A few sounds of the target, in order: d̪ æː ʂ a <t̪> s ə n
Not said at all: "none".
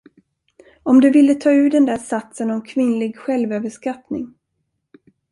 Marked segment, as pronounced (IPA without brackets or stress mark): t̪